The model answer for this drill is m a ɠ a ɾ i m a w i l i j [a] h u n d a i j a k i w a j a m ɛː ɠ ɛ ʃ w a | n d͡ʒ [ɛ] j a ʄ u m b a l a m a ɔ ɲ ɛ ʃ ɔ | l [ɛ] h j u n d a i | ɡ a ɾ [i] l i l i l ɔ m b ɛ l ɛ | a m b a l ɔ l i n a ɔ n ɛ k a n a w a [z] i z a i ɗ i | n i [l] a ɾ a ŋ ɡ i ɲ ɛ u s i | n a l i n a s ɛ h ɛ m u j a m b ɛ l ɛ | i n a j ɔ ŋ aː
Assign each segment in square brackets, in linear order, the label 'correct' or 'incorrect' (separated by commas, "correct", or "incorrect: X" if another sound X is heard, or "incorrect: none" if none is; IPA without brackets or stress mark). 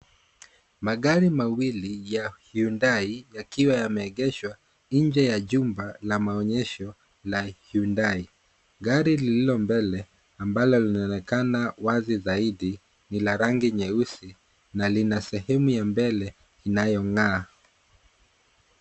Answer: correct, correct, incorrect: a, correct, correct, correct